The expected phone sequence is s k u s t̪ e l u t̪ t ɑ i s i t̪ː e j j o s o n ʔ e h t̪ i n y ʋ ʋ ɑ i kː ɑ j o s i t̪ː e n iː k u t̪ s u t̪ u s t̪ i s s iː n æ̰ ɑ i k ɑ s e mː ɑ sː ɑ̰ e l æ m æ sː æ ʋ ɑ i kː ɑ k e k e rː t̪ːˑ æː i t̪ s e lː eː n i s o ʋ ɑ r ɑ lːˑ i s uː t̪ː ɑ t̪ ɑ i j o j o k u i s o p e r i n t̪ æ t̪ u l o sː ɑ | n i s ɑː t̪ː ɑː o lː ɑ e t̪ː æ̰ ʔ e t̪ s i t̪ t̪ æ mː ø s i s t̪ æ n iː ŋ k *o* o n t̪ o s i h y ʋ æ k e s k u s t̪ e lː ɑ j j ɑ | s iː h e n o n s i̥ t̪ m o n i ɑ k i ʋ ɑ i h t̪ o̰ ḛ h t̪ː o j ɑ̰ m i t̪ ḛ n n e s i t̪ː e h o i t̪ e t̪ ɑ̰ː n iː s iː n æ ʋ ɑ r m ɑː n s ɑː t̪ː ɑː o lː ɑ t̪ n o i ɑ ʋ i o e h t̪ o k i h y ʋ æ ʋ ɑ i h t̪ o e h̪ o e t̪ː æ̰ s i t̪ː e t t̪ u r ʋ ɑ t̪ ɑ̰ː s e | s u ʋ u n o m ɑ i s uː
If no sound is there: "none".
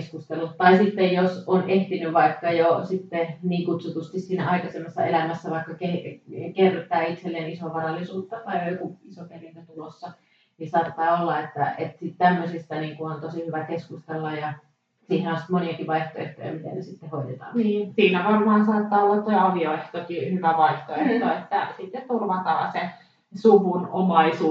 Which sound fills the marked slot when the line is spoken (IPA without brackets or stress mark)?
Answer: u